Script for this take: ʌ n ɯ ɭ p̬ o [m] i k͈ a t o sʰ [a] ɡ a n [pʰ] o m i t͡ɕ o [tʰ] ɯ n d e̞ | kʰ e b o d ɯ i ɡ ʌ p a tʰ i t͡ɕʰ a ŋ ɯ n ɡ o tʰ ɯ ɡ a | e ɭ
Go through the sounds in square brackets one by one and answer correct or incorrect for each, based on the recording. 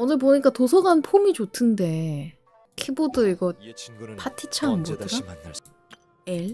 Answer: incorrect: ɲ, incorrect: ʌ, correct, correct

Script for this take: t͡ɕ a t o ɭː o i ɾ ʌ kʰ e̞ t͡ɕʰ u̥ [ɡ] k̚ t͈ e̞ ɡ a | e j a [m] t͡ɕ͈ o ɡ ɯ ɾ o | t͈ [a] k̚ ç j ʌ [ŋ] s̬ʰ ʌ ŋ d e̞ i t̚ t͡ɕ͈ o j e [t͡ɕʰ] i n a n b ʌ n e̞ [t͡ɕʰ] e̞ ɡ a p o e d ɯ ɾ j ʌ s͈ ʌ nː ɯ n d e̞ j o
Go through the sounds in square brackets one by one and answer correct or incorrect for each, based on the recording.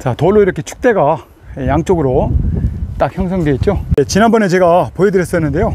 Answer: incorrect: none, incorrect: ŋ, correct, correct, incorrect: t͡ɕ, incorrect: t͡ɕ

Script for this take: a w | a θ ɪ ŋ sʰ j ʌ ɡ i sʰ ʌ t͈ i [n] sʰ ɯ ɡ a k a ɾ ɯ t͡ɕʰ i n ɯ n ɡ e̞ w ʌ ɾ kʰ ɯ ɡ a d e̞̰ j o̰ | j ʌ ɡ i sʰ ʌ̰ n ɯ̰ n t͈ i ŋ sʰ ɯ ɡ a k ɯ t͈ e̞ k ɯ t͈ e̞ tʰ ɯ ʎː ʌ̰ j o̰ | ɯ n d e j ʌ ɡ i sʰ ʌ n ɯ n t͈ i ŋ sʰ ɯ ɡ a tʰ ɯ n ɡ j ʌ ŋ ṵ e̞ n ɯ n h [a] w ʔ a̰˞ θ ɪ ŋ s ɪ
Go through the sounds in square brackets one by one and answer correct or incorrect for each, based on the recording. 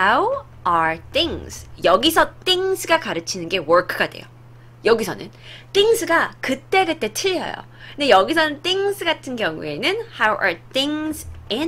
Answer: incorrect: ŋ, correct

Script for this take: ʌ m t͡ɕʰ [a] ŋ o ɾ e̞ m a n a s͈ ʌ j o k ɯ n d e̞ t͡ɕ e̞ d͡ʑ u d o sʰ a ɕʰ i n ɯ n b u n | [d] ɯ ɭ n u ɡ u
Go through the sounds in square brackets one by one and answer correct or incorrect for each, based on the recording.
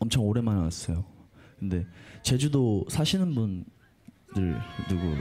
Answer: incorrect: ʌ, correct

